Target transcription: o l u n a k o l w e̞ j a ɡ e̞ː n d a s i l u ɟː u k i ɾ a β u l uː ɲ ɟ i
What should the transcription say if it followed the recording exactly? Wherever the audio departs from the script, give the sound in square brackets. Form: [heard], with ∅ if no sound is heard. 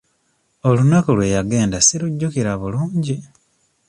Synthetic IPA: o l u n a k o l w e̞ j a ɡ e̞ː n d a s i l u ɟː u k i ɾ a β u l uː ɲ ɟ i